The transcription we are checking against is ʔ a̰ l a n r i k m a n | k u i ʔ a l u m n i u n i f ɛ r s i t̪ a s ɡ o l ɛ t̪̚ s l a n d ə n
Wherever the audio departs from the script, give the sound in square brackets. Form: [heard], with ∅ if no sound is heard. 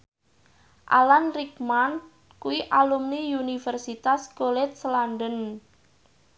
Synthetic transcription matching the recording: ʔ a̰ l a n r i k m a n | k u i ʔ a l u m n i u n i f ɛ r s i t̪ a s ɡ o l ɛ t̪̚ s l a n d ə n